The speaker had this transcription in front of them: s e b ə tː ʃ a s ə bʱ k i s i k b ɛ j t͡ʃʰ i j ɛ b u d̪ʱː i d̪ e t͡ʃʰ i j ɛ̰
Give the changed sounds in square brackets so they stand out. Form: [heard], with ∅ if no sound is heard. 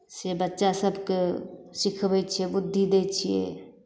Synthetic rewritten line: s e b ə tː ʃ a s ə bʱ k [e] s i [kʰ] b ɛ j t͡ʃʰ i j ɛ b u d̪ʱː i d̪ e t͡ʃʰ i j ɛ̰